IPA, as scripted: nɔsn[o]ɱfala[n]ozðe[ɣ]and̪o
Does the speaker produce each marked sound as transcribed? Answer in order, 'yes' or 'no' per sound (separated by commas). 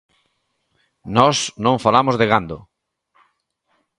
no, no, yes